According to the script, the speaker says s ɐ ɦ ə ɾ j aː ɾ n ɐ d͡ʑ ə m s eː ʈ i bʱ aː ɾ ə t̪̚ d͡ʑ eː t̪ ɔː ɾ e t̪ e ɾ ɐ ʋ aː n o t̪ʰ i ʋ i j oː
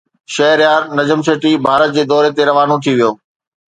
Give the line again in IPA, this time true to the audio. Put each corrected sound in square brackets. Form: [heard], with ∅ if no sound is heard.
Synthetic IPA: [ʃ] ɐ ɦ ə ɾ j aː ɾ n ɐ d͡ʑ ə m s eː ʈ i bʱ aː ɾ ə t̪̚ d͡ʑ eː [d̪] ɔː ɾ e t̪ e ɾ ɐ ʋ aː n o t̪ʰ i ʋ i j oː